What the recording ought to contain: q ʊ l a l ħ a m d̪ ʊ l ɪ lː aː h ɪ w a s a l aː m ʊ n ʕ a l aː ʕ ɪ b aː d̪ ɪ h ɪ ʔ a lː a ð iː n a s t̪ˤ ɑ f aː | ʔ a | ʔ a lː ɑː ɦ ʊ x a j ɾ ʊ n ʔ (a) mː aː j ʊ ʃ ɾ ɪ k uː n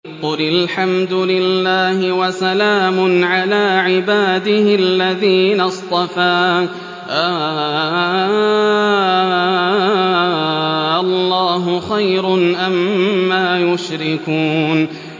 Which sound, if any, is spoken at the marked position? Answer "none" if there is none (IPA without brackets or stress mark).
a